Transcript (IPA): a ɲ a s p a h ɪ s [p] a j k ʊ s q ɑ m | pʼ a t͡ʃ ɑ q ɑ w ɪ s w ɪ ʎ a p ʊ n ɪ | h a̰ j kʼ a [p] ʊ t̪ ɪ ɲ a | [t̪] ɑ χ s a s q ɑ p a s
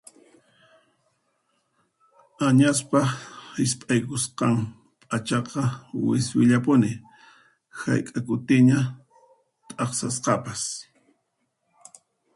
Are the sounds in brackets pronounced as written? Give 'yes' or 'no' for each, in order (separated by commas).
no, no, no